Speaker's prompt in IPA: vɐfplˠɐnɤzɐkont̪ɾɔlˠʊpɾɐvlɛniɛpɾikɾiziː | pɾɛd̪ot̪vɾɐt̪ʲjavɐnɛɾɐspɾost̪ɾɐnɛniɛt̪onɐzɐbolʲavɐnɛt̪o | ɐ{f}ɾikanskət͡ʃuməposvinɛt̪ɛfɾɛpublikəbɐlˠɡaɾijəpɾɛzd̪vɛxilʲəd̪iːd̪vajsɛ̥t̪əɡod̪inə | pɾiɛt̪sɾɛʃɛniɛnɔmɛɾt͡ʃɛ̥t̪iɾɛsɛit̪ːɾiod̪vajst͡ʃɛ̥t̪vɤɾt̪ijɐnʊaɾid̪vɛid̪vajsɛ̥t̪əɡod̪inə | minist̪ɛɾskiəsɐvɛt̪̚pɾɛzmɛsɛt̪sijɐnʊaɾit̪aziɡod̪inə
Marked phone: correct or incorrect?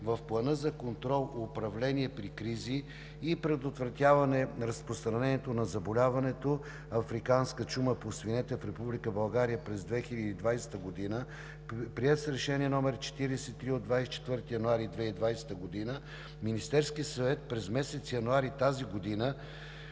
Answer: correct